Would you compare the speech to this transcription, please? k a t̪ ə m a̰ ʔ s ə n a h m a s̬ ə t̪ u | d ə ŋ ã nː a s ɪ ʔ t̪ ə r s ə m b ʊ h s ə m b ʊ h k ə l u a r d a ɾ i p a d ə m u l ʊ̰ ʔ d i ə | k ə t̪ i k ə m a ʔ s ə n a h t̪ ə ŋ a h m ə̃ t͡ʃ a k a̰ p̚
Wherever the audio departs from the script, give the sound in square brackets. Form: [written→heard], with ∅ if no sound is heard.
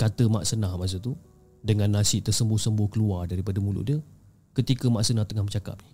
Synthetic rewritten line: k a t̪ ə m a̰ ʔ s ə n a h m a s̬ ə t̪ u | d ə ŋ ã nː a s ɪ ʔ t̪ ə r s ə m b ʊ h s ə m b ʊ h k ə l u a r d a ɾ i p a d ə m u l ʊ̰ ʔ d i ə | k ə t̪ i k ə m a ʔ s ə n a h t̪ ə ŋ a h m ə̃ t͡ʃ a k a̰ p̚